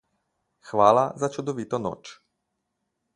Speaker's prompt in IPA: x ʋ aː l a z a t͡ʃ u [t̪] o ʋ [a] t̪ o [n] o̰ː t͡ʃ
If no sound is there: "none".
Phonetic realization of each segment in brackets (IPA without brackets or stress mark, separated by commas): d̪, i, n